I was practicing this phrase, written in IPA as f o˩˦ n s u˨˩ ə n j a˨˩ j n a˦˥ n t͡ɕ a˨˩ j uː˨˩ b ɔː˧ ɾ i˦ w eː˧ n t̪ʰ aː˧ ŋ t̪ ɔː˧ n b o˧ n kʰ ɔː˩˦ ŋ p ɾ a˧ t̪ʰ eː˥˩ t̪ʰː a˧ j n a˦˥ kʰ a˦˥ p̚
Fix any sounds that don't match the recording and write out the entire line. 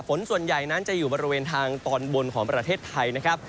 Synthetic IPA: f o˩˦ n s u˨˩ ə n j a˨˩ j n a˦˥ n t͡ɕ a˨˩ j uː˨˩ b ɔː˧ ɾ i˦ w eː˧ n t̪ʰ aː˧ ŋ t̪ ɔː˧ n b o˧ n kʰ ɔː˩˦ ŋ p ɾ a˧ t̪ʰ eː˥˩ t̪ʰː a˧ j n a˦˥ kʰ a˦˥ p̚